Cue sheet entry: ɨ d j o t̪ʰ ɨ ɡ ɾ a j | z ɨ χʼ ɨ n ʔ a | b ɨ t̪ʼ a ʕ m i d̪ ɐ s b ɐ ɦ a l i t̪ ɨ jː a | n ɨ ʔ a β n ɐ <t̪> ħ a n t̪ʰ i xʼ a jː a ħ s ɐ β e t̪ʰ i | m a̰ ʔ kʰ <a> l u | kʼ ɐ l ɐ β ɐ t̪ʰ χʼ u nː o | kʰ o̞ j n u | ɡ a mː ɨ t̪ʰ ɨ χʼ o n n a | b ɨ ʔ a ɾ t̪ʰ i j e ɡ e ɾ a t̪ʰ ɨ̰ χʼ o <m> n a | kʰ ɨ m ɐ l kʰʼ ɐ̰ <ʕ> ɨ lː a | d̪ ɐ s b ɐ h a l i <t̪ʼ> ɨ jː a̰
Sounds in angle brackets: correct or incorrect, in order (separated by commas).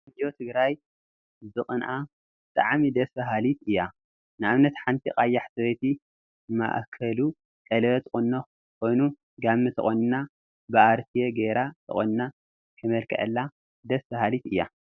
correct, incorrect, incorrect, correct, incorrect